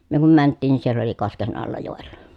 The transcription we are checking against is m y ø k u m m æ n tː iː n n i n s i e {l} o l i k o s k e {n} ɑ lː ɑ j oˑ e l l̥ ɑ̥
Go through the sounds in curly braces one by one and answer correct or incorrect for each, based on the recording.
incorrect, correct

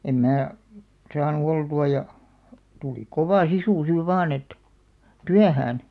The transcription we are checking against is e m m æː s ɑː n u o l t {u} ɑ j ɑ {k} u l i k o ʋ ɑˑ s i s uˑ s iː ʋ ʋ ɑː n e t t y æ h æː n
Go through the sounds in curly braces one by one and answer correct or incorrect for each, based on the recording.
correct, incorrect

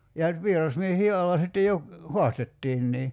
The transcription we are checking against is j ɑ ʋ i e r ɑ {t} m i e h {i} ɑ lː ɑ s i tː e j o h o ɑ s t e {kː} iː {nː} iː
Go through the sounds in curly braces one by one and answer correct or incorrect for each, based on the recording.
incorrect, incorrect, incorrect, correct

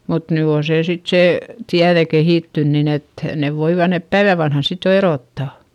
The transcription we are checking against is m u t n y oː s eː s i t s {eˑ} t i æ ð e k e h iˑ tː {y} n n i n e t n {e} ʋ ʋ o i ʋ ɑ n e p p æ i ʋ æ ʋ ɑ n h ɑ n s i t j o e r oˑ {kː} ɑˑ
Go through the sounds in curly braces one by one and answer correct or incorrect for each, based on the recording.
correct, correct, correct, incorrect

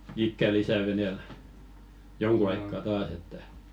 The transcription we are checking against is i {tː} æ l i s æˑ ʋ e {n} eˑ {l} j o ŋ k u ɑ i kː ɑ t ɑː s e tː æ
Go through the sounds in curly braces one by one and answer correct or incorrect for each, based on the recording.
incorrect, correct, correct

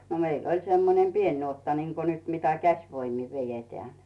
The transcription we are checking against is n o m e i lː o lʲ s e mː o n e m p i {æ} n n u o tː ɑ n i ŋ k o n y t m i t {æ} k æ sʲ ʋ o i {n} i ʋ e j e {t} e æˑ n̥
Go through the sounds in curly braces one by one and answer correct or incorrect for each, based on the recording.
incorrect, correct, incorrect, correct

